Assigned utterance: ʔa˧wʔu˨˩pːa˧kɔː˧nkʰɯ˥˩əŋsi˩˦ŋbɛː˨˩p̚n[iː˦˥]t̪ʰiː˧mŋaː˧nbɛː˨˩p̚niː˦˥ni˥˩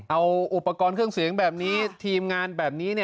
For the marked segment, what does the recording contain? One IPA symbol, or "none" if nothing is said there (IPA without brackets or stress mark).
iː˦˥